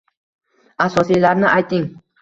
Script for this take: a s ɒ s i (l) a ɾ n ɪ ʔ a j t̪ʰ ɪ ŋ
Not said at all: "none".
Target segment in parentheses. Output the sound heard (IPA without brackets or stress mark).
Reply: l